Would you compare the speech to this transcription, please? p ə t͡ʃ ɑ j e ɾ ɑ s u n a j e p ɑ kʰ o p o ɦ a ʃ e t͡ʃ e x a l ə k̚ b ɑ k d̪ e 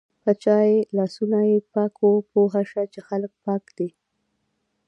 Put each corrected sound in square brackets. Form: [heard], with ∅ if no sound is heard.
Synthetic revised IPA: p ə t͡ʃ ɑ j e [l] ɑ s u n a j e p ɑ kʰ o p o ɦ a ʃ [a] t͡ʃ e x a l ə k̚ [p] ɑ k d̪ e